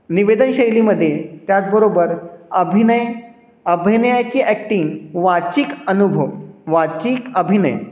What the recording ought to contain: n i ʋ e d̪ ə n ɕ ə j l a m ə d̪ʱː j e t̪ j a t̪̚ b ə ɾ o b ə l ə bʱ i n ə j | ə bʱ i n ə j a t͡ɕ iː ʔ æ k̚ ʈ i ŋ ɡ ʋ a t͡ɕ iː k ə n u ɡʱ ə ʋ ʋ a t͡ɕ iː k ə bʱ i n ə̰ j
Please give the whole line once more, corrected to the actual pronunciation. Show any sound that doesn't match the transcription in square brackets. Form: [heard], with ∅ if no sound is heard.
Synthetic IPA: n i ʋ e d̪ ə n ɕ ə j l [i] m ə d̪ʱː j e t̪ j a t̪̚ b ə ɾ o b ə [ɾ] ə bʱ i n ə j | ə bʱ i n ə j a t͡ɕ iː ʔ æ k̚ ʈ i ŋ ɡ ʋ a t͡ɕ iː k ə n u [bʱ] ə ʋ ʋ a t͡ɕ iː k ə bʱ i n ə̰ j